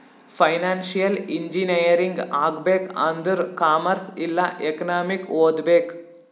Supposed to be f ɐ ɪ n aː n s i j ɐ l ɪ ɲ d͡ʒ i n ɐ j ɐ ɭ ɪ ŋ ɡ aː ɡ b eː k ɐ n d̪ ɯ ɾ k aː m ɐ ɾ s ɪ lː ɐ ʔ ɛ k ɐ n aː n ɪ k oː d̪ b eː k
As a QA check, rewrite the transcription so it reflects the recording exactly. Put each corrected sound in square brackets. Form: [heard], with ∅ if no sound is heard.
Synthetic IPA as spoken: f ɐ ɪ n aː n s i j ɐ l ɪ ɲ d͡ʒ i n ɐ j ɐ [ɾ] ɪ ŋ ɡ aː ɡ b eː k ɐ n d̪ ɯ ɾ k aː m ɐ ɾ s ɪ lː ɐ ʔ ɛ k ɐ n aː [m] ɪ k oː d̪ b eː k